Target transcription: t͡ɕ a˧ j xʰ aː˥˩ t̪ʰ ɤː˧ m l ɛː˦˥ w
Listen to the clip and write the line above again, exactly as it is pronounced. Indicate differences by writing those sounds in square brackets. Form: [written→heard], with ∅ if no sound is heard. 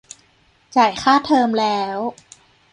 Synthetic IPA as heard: t͡ɕ [a˧→a˨˩] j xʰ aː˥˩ t̪ʰ ɤː˧ m l ɛː˦˥ w